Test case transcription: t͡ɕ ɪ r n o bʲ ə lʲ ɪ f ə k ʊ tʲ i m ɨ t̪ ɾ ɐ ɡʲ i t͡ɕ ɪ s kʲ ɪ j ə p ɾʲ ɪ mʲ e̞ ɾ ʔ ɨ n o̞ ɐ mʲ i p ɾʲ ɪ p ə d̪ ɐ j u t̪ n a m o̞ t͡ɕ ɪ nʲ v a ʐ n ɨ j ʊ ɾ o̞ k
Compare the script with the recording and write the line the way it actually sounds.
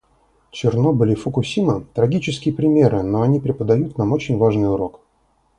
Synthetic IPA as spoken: t͡ɕ ɪ r n o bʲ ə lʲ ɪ f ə k ʊ sʲ i m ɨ t̪ ɾ ɐ ɡʲ i t͡ɕ ɪ s kʲ ɪ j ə p ɾʲ ɪ mʲ e̞ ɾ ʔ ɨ n o̞ ɐ nʲ i p ɾʲ ɪ p ə d̪ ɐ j u t̪ n a m o̞ t͡ɕ ɪ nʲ v a ʐ n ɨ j ʊ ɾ o̞ k